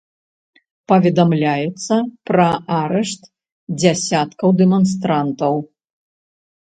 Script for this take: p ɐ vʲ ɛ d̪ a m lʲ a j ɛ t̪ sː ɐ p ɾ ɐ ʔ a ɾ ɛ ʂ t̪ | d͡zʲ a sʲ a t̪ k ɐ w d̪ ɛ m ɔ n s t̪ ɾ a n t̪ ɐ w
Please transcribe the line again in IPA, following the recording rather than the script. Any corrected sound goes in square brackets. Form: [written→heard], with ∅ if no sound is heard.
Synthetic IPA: p ɐ vʲ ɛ d̪ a m lʲ a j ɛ t̪ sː ɐ p ɾ ɐ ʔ a ɾ ɛ ʂ t̪ | d͡zʲ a sʲ a t̪ k ɐ w d̪ ɛ m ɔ n s t̪ ɾ a n t̪ ɐ w